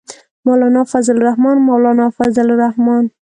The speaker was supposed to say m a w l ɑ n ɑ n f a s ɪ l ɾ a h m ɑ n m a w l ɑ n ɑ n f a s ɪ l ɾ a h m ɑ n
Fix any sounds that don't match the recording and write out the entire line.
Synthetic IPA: m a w l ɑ n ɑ f a z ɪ l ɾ a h m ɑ n m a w l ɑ n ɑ f a z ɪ l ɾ a h m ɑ n